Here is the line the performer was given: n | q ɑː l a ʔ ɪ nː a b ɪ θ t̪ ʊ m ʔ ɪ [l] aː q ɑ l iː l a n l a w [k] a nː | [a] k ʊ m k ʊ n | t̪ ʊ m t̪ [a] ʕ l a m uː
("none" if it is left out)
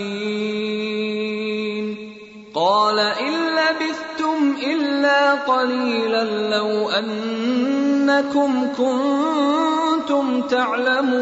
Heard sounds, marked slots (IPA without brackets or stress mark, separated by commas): lː, ʔ, a, a